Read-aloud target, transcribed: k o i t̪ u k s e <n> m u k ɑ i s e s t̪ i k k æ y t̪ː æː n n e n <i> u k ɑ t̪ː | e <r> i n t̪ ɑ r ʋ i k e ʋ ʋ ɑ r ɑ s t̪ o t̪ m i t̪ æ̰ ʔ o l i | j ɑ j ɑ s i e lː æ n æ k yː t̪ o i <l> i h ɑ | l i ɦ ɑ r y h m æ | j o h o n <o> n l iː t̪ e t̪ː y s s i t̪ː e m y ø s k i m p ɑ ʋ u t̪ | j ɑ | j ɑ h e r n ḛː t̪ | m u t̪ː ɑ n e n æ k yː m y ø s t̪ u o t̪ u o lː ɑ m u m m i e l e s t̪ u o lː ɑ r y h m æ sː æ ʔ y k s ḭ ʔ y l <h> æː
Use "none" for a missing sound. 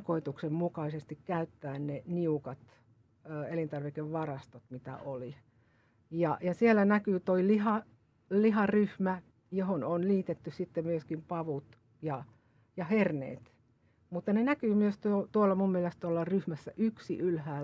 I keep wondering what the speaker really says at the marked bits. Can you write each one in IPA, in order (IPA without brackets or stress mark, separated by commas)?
m, i, l, l, o, h